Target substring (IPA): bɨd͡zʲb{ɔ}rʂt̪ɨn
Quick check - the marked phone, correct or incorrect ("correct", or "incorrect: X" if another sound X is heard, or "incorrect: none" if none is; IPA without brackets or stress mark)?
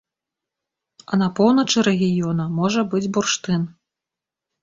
incorrect: u